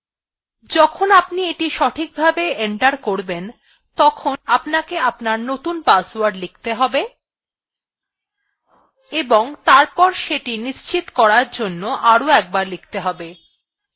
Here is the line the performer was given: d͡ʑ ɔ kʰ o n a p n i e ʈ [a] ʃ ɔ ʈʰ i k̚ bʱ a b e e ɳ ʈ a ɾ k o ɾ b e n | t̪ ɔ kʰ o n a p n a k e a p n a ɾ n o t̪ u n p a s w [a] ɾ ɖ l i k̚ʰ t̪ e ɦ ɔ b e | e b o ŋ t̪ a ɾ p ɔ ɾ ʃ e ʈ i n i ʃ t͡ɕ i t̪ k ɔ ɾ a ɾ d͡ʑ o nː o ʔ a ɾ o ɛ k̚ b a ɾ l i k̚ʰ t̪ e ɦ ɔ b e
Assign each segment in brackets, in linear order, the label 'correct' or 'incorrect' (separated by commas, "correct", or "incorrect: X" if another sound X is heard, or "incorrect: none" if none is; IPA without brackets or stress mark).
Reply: incorrect: i, correct